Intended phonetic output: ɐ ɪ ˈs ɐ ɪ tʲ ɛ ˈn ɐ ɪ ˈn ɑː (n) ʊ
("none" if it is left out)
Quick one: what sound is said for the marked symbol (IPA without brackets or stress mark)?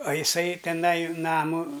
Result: m